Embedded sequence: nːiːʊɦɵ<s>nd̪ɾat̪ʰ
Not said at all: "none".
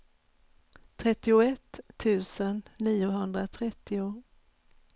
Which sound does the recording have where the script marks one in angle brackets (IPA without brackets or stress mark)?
none